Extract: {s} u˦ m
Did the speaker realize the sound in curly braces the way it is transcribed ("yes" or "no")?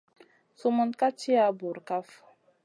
yes